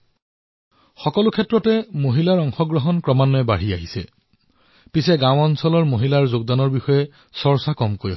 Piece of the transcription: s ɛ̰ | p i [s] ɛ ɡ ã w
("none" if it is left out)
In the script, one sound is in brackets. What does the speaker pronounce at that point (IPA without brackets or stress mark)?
s